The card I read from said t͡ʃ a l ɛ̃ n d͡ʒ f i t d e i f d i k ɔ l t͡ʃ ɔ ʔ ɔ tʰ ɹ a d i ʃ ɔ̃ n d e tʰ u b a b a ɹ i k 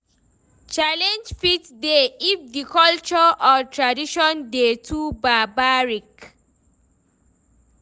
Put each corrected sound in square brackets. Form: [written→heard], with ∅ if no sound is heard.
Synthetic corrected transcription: t͡ʃ a l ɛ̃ n d͡ʒ f i t d e i f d i k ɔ l t͡ʃ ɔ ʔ ɔ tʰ ɹ a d i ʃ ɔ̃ n d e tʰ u b a b a ɹ i k